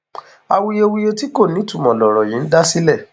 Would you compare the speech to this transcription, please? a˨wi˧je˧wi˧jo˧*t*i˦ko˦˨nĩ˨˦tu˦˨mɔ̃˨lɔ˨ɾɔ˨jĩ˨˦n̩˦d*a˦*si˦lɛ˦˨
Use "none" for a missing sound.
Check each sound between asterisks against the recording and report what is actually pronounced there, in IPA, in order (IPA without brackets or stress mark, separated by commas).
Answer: t, a˦